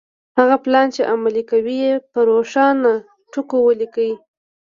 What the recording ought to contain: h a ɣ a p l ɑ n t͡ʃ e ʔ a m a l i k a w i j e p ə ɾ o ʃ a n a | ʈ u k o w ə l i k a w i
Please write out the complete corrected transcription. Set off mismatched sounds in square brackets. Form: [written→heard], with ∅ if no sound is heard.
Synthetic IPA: h a ɣ a p l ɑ n t͡ʃ e ʔ a m a l i k a w i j e p ə ɾ o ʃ [a→ɑ] n a | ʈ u k o w ə l i k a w i

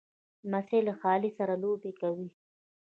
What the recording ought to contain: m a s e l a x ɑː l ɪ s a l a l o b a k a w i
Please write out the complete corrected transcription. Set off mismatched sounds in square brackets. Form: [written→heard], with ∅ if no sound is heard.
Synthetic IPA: m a s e l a x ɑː l [ɪ→i] s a [l→ɾ] a l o b [a→e] k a w i

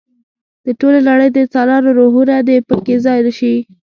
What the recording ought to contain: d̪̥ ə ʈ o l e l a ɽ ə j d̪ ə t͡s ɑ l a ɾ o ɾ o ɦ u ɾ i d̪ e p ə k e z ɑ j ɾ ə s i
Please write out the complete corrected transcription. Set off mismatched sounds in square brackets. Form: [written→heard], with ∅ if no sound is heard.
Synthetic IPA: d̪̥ ə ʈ o l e l a ɽ ə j d̪ ə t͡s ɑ l [a→ɑ] ɾ o ɾ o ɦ u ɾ [i→a] d̪ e p ə k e z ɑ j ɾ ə [s→ʃ] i

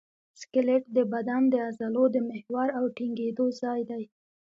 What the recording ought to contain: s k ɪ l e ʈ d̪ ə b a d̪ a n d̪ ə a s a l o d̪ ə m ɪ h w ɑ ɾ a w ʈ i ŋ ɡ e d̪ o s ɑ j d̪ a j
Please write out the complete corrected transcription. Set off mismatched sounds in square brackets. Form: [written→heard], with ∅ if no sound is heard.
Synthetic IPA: s k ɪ l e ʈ d̪ ə b a d̪ a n d̪ ə a [s→z] a l o d̪ ə m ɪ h w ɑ ɾ a w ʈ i ŋ ɡ e d̪ o [s→z] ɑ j d̪ a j

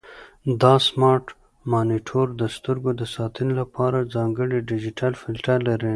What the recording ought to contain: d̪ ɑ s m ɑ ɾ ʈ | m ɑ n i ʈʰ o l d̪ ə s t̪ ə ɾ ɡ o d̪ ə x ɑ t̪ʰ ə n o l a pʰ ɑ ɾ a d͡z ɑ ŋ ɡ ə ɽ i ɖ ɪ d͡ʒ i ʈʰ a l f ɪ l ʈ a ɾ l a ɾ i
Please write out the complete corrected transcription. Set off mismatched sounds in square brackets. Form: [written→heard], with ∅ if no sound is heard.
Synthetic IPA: d̪ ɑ s m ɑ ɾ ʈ | m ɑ n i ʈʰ o [l→ɾ] d̪ ə s t̪ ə ɾ ɡ o d̪ ə [x→s] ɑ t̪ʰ ə n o l a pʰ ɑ ɾ a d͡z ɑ ŋ ɡ ə ɽ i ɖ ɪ d͡ʒ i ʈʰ a l f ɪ l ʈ a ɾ l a ɾ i

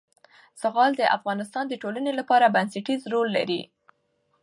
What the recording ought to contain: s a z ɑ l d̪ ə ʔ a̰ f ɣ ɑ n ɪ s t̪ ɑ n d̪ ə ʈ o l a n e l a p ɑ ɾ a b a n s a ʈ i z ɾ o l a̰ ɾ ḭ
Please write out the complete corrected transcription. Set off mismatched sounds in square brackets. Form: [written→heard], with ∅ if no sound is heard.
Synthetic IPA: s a [z→ɣ] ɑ l d̪ ə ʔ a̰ f ɣ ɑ n ɪ s t̪ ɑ n d̪ ə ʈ o l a n e l a p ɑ ɾ a b a n s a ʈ i z ɾ o [l→lː] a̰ ɾ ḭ

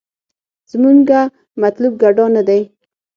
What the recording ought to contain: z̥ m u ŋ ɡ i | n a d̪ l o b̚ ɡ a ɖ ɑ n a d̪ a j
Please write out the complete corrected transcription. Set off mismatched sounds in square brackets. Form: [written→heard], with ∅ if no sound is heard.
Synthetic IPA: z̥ m u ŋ ɡ [i→a] | [n→m] a [d̪→t̪] l [o→u] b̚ ɡ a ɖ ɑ n a d̪ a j

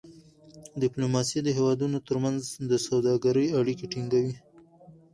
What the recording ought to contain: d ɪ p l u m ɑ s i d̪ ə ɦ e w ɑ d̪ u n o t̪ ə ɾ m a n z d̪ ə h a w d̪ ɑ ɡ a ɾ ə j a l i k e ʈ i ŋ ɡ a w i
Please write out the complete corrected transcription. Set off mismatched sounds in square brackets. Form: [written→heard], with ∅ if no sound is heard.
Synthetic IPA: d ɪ p l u m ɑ s i d̪ ə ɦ e w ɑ d̪ u n o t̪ ə ɾ m a n z d̪ ə [h→s] a w d̪ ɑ ɡ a ɾ ə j a [l→ɽ] i k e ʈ i ŋ ɡ a w i

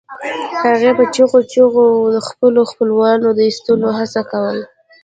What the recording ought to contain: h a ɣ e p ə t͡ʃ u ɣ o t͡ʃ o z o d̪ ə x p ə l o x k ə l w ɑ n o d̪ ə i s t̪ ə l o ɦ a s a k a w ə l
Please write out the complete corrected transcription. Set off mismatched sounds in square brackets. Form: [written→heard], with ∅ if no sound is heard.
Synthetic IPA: h a ɣ e p ə t͡ʃ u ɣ o t͡ʃ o [z→ɣ] o d̪ ə x p ə l o x [k→p] ə l w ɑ n o d̪ ə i s t̪ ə l o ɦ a s a k a w ə l

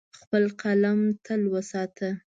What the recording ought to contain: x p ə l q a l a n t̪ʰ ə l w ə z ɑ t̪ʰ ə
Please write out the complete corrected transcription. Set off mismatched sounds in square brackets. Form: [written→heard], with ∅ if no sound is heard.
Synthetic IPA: x p ə l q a l a [n→m] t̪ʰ ə l w ə [z→s] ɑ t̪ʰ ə

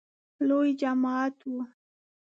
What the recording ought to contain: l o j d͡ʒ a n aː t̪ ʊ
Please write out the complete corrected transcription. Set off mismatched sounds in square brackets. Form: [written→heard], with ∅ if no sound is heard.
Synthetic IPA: l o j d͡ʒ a [n→m] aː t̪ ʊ

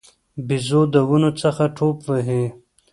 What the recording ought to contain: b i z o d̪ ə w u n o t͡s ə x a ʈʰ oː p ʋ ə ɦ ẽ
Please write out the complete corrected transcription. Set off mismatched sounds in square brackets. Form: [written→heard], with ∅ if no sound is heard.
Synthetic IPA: b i z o d̪ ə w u n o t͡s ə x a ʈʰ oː p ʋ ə ɦ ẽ

